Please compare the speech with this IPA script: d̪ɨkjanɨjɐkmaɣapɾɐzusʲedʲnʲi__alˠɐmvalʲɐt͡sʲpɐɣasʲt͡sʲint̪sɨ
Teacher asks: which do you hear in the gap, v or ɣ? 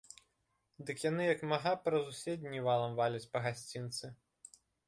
v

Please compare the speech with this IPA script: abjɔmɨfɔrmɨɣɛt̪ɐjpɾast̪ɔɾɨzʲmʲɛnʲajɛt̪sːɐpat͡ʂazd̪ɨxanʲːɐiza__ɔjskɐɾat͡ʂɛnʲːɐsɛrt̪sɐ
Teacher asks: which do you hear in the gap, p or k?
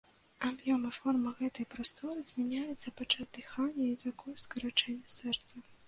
k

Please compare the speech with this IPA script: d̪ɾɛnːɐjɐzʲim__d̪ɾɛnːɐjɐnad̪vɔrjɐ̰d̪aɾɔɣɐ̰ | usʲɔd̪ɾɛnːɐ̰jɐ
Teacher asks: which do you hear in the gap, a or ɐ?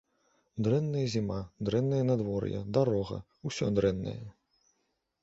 a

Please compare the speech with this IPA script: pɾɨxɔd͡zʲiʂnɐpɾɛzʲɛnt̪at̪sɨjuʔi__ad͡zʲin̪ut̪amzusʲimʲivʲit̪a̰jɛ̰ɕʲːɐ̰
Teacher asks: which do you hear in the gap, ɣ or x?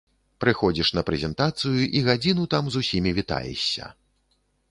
ɣ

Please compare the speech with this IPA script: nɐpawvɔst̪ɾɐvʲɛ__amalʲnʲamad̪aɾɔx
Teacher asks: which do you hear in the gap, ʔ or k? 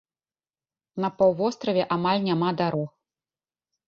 ʔ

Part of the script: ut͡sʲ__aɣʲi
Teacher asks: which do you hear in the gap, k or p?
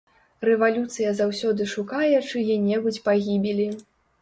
p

